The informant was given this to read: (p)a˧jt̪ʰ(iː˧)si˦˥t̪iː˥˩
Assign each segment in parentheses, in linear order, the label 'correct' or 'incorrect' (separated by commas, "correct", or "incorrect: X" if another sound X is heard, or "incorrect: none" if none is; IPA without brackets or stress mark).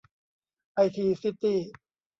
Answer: incorrect: ʔ, correct